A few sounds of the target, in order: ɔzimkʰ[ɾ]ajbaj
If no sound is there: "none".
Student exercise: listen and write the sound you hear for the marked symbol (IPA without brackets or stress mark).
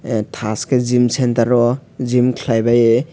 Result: l